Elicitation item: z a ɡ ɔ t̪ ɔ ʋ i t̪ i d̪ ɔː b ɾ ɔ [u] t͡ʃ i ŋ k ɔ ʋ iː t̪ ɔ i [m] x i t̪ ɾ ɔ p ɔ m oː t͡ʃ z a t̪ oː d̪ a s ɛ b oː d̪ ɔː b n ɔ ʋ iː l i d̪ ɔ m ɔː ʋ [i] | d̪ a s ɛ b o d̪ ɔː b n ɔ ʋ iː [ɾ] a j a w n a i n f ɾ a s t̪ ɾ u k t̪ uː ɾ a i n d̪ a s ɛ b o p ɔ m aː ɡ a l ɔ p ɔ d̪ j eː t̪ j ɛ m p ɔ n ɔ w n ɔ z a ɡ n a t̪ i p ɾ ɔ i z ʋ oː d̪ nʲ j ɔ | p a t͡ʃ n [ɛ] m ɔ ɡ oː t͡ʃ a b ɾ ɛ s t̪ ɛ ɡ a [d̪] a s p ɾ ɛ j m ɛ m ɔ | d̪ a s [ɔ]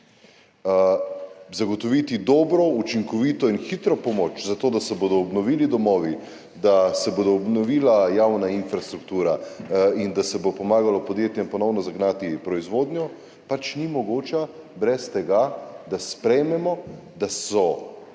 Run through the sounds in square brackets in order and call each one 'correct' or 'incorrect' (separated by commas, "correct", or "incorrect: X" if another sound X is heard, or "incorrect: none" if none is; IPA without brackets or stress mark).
correct, incorrect: n, correct, incorrect: l, incorrect: i, correct, correct